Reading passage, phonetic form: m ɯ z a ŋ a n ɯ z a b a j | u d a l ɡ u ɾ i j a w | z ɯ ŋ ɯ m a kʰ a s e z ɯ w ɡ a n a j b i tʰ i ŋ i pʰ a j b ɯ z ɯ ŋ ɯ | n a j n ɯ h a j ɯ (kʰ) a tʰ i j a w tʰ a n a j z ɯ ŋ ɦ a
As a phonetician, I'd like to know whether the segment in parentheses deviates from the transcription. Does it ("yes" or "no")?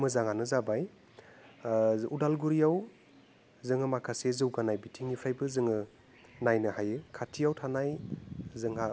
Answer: no